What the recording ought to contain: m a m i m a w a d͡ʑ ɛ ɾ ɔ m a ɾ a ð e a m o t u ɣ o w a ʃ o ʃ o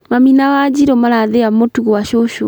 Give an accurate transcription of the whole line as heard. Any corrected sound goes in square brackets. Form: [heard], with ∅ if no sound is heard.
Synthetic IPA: m a m i [n] a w a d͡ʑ [i] ɾ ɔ m a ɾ a ð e a m o t u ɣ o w a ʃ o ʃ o